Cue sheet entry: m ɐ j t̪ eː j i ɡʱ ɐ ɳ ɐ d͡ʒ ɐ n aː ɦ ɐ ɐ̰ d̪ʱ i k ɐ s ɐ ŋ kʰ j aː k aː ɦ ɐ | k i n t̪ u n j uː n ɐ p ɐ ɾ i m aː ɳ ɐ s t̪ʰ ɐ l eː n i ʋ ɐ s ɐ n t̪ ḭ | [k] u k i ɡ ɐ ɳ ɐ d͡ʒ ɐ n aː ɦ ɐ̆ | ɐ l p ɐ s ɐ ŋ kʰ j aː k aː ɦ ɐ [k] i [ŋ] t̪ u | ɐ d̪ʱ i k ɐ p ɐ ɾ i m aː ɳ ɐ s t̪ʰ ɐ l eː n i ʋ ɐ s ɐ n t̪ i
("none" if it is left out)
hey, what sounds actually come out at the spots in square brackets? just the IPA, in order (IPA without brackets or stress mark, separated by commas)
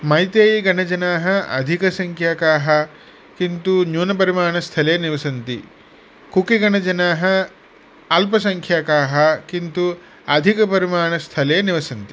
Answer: k, k, n